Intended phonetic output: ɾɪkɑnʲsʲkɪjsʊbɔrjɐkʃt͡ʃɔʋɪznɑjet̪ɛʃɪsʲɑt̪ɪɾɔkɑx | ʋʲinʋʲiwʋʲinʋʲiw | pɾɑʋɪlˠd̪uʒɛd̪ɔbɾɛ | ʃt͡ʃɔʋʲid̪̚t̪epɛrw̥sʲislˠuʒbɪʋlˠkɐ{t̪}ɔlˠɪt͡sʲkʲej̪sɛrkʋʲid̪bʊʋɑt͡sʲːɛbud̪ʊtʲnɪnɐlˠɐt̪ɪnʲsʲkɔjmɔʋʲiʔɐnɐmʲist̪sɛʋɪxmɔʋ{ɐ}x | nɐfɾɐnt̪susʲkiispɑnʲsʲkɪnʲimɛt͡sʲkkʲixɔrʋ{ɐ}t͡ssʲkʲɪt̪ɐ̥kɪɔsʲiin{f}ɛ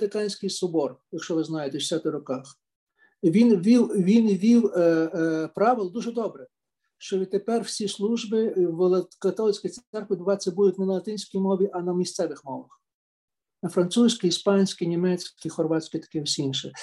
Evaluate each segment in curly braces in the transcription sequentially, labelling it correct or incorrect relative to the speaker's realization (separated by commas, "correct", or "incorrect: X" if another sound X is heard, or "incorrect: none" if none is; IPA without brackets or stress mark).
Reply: correct, correct, incorrect: ɑ, incorrect: ʃ